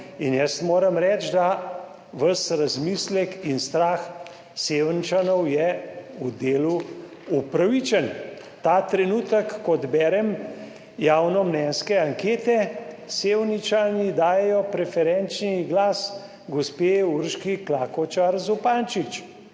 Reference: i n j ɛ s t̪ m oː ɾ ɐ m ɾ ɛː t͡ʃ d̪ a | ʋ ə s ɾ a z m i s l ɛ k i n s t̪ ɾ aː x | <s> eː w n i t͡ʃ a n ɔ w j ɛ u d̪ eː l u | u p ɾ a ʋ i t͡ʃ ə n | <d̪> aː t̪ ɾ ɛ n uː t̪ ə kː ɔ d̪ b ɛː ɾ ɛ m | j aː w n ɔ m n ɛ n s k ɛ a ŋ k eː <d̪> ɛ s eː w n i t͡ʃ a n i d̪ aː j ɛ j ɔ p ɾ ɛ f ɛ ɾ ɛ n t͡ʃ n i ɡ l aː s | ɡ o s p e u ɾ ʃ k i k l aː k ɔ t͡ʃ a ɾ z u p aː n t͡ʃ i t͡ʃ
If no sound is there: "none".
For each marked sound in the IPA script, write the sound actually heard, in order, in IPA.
s, t̪, t̪

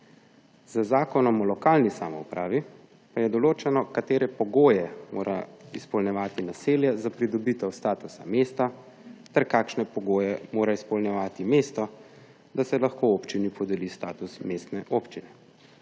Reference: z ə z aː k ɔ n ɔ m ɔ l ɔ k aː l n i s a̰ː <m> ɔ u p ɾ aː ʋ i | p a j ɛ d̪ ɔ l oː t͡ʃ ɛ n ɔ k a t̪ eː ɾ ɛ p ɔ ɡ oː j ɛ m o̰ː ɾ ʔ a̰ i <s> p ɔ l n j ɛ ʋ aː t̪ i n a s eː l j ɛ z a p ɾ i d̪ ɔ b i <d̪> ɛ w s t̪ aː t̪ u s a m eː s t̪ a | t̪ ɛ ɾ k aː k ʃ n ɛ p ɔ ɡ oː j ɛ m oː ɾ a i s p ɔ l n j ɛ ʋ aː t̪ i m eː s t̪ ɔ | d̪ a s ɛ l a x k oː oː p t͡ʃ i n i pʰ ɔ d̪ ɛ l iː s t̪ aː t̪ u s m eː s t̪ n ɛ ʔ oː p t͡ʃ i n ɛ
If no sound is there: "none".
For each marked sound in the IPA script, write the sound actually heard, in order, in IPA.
m, s, t̪

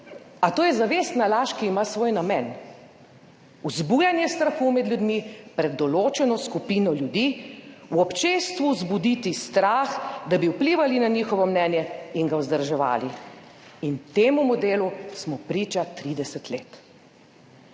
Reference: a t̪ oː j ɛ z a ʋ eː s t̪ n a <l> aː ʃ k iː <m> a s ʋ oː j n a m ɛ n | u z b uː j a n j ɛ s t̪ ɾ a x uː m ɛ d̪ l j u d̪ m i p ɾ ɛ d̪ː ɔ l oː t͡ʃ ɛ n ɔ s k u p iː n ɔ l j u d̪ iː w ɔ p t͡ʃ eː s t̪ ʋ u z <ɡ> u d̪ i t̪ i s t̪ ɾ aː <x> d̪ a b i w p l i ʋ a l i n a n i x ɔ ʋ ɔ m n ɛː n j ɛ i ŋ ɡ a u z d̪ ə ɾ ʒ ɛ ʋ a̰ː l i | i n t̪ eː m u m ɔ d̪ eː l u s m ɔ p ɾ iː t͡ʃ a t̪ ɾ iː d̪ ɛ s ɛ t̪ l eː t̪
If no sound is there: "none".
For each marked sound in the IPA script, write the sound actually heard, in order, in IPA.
l, m, b, x

